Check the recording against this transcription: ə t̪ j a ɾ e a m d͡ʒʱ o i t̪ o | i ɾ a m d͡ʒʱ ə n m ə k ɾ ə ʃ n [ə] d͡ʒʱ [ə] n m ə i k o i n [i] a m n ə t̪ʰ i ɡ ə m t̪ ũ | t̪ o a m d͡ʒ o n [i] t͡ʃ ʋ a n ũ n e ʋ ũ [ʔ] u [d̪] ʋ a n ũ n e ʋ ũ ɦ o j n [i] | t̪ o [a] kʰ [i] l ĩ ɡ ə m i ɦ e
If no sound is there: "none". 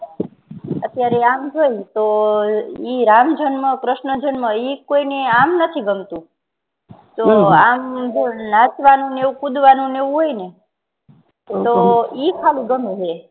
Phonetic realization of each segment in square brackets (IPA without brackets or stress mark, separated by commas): ə, ə, e, a, k, d̪, e, i, a